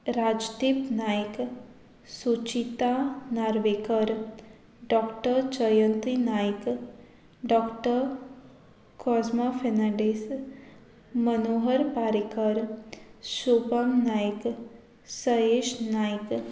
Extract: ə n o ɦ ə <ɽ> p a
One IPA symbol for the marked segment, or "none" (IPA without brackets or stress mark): ɾ